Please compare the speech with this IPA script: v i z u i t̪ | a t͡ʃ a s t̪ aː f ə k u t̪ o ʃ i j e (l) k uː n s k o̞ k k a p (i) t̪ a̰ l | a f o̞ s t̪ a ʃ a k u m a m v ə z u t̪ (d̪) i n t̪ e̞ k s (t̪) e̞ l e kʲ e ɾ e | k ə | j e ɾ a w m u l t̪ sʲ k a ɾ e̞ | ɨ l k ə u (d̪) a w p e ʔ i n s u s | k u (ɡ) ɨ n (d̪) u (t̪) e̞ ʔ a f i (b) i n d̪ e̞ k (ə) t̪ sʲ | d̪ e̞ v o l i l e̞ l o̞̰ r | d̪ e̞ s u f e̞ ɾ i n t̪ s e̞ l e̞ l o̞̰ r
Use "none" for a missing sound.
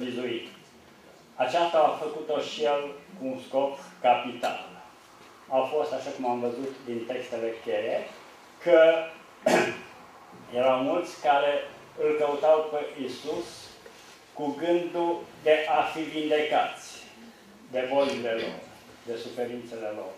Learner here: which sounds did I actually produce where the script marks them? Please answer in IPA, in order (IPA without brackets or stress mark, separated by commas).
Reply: l, i, d̪, t̪, t̪, ɡ, d̪, d̪, v, a